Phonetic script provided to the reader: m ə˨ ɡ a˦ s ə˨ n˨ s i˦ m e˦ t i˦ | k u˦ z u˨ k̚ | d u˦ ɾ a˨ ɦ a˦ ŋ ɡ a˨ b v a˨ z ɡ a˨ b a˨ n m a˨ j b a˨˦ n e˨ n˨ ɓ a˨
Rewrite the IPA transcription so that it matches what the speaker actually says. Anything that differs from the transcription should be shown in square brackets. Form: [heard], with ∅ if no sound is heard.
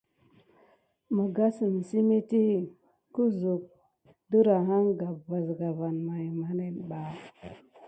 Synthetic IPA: m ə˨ ɡ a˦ s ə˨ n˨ s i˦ m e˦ t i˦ | k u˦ z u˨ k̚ | d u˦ ɾ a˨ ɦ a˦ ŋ ɡ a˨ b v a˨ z ɡ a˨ [v] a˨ n m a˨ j [m] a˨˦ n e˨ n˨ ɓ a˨